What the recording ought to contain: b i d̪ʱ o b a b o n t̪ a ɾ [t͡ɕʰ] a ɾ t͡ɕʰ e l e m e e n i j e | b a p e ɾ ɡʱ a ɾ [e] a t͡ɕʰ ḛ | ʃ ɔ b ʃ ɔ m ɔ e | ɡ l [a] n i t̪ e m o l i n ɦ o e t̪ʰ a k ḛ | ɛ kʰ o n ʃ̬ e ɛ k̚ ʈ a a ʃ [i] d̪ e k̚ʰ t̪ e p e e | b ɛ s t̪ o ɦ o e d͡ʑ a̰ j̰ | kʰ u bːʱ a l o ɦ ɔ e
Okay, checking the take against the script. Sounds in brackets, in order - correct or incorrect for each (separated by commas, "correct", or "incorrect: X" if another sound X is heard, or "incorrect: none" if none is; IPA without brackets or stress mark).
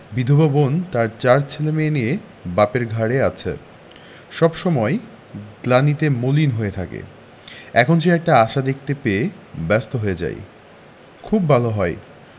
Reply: incorrect: t͡ɕ, correct, correct, incorrect: a